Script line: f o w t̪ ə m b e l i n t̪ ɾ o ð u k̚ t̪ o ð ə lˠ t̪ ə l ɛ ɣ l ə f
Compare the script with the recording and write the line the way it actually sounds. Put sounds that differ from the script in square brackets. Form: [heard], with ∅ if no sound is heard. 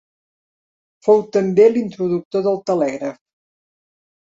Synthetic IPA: f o w t̪ ə m b e l i n t̪ ɾ [u] ð u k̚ t̪ o ð ə lˠ t̪ ə l ɛ ɣ [ɾ] ə f